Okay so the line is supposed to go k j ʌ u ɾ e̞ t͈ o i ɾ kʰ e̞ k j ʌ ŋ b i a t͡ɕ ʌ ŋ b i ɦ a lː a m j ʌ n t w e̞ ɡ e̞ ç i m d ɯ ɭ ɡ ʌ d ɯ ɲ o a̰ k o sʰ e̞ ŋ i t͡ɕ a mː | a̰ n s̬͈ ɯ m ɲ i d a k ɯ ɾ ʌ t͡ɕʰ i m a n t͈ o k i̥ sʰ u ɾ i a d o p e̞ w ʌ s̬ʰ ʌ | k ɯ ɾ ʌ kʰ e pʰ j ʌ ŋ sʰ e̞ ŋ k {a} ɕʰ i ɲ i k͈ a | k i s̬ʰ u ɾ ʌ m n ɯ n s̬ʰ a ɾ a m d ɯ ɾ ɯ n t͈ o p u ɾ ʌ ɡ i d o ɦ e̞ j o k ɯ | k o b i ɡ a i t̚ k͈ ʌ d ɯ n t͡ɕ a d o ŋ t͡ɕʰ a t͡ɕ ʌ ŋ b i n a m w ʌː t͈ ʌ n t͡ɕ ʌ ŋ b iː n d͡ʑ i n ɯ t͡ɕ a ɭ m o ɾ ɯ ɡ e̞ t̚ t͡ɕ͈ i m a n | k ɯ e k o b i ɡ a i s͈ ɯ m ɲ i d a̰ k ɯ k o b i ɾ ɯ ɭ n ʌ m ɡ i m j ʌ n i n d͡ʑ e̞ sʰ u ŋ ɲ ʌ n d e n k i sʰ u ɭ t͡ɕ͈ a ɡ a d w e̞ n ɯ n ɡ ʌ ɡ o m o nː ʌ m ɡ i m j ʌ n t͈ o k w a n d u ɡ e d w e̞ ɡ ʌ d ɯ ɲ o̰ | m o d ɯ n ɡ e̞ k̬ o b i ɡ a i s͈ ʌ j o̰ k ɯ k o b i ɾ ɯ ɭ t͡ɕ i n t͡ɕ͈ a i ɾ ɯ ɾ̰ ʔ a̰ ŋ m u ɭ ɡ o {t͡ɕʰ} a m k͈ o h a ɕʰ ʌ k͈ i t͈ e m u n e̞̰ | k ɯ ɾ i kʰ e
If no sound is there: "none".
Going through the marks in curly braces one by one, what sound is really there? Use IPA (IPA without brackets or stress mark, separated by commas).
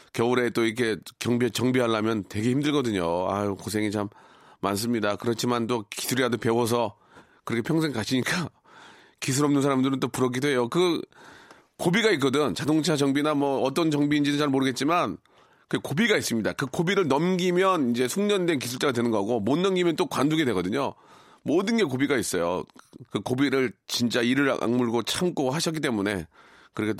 a, t͡ɕʰ